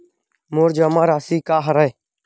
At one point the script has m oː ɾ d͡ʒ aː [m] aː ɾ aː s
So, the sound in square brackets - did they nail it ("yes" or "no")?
yes